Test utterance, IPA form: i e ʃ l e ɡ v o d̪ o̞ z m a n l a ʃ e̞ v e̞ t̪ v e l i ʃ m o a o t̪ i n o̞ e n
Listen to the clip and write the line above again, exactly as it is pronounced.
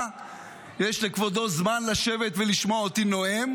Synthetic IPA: j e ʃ l e k v o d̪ o̞ z m a n l a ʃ e̞ v e̞ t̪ v e l i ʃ m o a o t̪ i n o̞ e m